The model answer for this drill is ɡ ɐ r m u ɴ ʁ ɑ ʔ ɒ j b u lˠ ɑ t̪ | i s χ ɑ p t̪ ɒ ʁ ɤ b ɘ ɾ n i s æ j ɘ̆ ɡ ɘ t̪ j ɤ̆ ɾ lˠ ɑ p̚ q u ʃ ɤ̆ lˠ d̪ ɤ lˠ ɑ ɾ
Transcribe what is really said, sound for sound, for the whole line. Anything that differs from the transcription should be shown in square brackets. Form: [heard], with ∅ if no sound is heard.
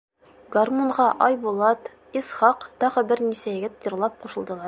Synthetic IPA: ɡ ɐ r m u ɴ ʁ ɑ ʔ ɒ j b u lˠ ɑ t̪ | i s χ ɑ [q] t̪ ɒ ʁ ɤ b ɘ ɾ n i s æ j ɘ̆ ɡ ɘ t̪ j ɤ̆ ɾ lˠ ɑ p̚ q u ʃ ɤ̆ lˠ d̪ ɤ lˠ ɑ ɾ